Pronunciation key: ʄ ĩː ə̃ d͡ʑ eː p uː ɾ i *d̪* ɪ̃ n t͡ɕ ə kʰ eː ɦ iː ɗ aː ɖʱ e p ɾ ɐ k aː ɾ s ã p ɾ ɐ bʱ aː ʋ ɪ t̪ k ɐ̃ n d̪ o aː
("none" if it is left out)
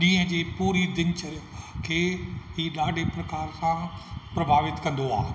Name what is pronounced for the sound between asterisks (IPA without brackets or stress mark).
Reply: d̪